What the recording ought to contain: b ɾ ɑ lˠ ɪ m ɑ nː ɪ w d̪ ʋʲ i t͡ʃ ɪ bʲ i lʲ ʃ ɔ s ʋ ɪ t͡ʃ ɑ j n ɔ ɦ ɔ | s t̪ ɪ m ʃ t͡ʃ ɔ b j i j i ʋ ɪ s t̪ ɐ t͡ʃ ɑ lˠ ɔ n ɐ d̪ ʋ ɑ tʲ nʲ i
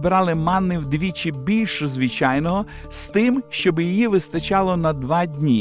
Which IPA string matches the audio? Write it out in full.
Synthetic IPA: b ɾ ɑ lˠ ɪ m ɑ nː ɪ w d̪ ʋʲ i t͡ʃ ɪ bʲ i lʲ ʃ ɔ z ʋ ɪ t͡ʃ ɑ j n ɔ ɦ ɔ | s t̪ ɪ m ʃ t͡ʃ ɔ b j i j i ʋ ɪ s t̪ ɐ t͡ʃ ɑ lˠ ɔ n ɐ d̪ ʋ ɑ dʲ nʲ i